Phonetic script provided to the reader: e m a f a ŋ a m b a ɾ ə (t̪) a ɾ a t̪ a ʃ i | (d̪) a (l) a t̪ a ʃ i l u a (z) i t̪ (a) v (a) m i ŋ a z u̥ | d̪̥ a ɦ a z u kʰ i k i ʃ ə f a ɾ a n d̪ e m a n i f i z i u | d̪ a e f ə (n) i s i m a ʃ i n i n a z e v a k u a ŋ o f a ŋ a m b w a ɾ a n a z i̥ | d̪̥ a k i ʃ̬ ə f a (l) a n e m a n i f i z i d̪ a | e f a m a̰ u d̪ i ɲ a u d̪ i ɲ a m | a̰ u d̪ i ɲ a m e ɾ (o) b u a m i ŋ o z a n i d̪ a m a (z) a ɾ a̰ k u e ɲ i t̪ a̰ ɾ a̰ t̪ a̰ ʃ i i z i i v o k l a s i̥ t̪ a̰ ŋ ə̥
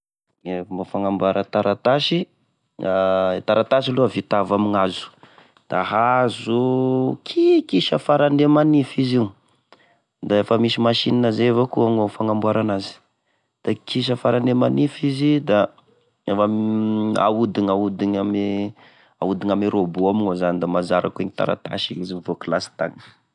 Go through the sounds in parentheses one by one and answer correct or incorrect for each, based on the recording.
correct, incorrect, incorrect, incorrect, correct, correct, incorrect, incorrect, correct, correct

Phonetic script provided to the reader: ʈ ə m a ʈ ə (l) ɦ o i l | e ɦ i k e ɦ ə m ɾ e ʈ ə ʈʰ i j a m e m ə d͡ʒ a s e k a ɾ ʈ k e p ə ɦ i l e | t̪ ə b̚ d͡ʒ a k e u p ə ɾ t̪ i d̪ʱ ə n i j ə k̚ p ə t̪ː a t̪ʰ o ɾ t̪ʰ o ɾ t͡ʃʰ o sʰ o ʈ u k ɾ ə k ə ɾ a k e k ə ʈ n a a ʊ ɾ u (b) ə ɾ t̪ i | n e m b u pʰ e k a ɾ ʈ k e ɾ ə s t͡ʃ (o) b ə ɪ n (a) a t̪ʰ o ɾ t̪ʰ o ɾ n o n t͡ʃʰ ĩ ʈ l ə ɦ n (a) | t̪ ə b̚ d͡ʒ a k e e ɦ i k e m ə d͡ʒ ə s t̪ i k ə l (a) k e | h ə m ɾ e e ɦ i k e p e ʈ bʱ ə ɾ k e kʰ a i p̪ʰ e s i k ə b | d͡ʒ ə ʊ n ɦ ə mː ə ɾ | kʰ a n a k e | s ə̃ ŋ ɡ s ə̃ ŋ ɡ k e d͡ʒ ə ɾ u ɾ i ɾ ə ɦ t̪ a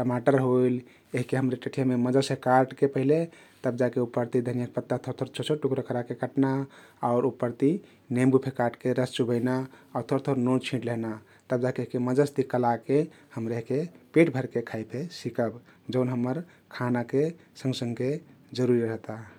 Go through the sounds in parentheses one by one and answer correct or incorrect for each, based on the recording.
incorrect, incorrect, incorrect, correct, correct, correct

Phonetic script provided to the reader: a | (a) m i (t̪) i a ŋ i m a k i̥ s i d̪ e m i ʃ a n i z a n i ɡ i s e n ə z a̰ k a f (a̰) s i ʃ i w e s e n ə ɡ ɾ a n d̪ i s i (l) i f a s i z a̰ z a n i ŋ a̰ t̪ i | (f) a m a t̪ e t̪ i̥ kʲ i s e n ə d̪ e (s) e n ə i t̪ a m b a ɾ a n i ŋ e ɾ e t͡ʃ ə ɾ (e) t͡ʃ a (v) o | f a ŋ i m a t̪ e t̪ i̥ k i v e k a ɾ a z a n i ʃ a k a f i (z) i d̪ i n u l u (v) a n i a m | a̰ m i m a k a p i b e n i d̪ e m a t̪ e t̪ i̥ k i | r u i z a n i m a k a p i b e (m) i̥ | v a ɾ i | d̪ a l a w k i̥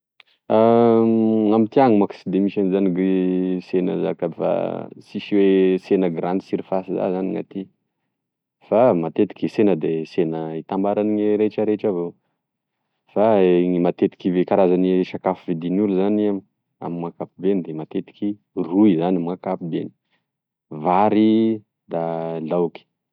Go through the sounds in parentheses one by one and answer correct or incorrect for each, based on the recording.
correct, correct, correct, incorrect, correct, correct, correct, correct, incorrect, incorrect, incorrect

